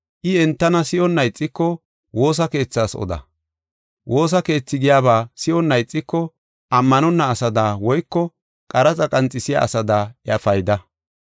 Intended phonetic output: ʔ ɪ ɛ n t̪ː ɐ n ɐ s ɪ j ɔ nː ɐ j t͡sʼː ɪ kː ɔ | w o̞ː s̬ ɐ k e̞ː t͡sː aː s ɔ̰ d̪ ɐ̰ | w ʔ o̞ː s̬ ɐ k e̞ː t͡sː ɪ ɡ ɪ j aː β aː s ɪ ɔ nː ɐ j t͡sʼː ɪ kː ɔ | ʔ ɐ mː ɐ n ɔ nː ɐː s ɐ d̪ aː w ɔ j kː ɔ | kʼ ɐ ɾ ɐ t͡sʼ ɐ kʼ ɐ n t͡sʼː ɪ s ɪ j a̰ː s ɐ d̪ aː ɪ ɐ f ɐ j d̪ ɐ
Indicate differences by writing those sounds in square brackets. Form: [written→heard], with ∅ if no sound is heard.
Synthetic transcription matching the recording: ʔ ɪ ɛ n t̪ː ɐ n ɐ s ɪ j ɔ nː ɐ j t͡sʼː ɪ kː ɔ | w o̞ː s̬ ɐ k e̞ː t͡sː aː s ɔ̰ d̪ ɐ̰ | w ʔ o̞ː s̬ ɐ k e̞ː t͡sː ɪ ɡ ɪ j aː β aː s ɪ ɔ nː ɐ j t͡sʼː ɪ kː ɔ | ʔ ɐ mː ɐ n ɔ nː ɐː s ɐ d̪ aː w ɔ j kː ɔ | kʼ ɐ ɾ ɐ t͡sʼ ɐ kʼ ɐ n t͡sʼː ɪ s ɪ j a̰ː s ɐ d̪ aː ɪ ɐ f ɐ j d̪ ɐ